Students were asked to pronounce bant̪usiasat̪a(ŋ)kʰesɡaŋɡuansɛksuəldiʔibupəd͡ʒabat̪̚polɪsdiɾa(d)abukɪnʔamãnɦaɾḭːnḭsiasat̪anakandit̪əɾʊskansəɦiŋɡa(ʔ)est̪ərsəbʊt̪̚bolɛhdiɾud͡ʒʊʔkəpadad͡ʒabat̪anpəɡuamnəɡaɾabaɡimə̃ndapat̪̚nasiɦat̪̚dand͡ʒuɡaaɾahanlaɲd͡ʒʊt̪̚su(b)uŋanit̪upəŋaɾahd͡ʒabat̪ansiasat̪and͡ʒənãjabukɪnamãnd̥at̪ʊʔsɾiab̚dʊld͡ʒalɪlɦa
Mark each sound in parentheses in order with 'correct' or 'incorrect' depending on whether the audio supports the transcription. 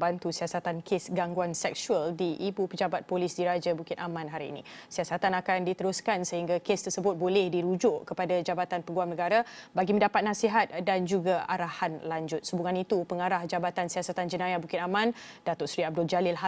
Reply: incorrect, incorrect, incorrect, correct

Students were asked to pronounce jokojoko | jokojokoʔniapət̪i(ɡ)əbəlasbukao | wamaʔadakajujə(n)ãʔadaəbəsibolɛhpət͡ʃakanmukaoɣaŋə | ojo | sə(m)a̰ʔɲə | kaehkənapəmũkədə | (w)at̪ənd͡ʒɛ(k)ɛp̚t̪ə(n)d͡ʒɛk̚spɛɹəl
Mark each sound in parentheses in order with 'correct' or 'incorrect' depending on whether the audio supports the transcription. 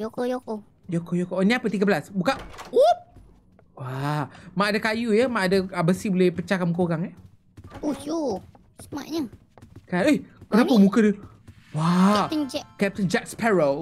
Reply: correct, incorrect, correct, correct, correct, correct

